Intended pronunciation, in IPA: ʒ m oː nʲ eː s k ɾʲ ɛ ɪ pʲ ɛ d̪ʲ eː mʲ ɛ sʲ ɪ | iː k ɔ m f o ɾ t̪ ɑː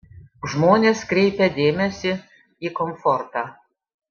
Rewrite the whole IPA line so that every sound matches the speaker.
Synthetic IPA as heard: ʒ m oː nʲ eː s k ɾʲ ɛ ɪ pʲ ɛ d̪ʲ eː mʲ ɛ sʲ ɪ | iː k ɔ m f ɔ ɾ t̪ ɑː